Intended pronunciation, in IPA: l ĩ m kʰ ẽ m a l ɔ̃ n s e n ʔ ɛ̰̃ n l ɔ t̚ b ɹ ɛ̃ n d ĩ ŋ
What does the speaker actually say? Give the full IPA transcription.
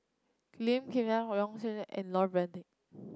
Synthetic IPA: l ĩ m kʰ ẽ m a ɹ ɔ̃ ŋ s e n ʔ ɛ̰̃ n l ɔ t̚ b ɹ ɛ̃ n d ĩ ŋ

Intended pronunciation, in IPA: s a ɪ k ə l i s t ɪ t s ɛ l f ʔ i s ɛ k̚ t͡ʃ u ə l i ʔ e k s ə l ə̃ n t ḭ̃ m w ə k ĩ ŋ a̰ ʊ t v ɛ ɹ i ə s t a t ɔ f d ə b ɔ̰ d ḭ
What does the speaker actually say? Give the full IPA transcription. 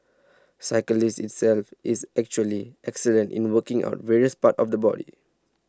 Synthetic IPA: s a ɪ k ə l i s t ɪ t s ɛ l f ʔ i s ɛ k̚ t͡ʃ u ə l i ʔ ɛ k s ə l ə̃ n t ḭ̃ n w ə k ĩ ŋ a̰ ʊ t v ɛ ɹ i ə s p a t ɔ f d ə b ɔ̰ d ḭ

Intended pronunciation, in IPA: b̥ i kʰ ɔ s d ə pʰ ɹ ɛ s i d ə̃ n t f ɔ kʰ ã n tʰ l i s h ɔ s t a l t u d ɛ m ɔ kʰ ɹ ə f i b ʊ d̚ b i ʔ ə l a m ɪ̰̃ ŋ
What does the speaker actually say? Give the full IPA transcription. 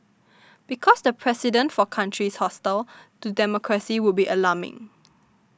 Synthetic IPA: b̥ i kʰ ɔ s d ə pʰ ɹ ɛ s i d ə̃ n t f ɔ kʰ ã n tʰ ɹ i s h ɔ s t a l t u d ɛ m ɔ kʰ ɹ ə s i w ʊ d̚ b i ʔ ə l a m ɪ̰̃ ŋ

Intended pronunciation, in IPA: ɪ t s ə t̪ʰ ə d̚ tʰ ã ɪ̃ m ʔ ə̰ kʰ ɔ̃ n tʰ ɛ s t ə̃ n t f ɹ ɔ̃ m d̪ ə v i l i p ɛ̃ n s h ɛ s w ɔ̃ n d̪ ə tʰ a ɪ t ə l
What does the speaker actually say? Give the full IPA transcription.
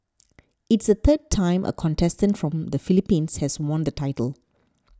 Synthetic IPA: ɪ t s ə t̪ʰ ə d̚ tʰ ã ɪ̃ m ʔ ə̰ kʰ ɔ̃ n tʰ ɛ s t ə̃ n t f ɹ ɔ̃ m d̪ ə f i l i p ĩ n s h ɛ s w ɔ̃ n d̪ ə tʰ a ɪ t ə l

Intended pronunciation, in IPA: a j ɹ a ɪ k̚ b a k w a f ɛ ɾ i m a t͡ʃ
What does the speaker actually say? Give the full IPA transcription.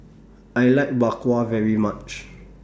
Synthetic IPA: a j l a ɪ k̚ b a k w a v ɛ ɹ i m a t͡ʃ

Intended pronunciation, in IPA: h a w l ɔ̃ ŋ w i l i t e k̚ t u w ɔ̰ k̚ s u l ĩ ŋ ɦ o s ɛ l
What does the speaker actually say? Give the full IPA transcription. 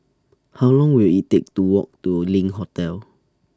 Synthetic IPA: h a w l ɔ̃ ŋ w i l i t e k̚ t u w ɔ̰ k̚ t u l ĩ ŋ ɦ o t ɛ l

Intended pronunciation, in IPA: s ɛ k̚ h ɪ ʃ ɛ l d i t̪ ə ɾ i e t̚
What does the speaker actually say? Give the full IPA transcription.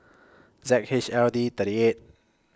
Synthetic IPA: z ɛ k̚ h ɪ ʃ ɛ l d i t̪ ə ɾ i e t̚

